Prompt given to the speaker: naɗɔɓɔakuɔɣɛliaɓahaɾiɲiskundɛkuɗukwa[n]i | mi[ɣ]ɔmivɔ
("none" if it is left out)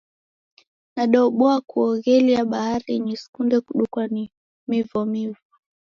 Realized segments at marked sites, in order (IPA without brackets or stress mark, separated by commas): n, v